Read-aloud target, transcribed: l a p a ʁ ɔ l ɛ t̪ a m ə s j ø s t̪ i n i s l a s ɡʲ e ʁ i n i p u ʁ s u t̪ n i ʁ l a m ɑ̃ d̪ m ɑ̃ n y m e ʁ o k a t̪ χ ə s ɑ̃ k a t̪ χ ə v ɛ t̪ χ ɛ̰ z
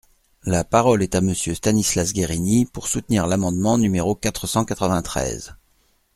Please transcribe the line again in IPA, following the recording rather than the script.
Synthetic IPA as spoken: l a p a ʁ ɔ l ɛ t̪ a m ə s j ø s t̪ a n i s l a s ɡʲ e ʁ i n i p u ʁ s u t̪ n i ʁ l a m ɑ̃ d̪ m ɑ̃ n y m e ʁ o k a t̪ χ ə s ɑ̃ k a t̪ χ ə v ɛ̃ t̪ χ ɛ̰ z